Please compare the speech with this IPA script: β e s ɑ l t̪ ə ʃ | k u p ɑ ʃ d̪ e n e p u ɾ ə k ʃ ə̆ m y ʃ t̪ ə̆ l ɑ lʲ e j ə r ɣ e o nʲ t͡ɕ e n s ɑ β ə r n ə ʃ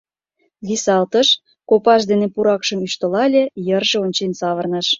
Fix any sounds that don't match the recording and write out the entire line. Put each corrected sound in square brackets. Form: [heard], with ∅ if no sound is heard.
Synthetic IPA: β [i] s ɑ l t̪ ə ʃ | k [o] p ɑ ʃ d̪ e n e p u ɾ [ɑ] k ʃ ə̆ m y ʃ t̪ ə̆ l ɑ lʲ e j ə r [ʒ] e o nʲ t͡ɕ e n s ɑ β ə r n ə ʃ